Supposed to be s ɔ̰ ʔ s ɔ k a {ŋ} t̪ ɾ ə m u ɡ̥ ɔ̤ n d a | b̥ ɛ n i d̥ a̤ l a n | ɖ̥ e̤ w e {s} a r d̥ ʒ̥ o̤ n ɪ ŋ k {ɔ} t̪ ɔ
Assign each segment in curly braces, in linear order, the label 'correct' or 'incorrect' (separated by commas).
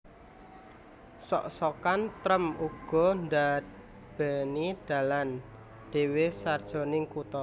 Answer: incorrect, correct, incorrect